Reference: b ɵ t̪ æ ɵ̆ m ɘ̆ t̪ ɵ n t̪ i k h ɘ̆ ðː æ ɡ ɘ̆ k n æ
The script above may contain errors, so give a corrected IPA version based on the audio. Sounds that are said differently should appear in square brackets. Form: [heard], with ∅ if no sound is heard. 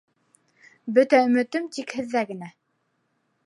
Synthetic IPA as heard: b ɵ t̪ æ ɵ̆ m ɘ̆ t̪ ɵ [m] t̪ i k h ɘ̆ ðː æ ɡ ɘ̆ [∅] n æ